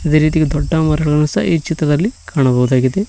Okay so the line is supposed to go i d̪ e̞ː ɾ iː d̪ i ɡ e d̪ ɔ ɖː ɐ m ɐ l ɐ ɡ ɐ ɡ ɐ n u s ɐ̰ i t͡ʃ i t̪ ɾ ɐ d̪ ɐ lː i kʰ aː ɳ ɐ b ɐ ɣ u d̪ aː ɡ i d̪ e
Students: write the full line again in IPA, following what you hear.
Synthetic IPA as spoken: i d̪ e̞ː ɾ iː t̪ i ɡ e d̪ ɔ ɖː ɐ m ɐ ɾ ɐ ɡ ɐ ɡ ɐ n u s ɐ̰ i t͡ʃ i t̪ ɾ ɐ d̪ ɐ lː i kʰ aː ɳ ɐ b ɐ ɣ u d̪ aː ɡ i d̪ e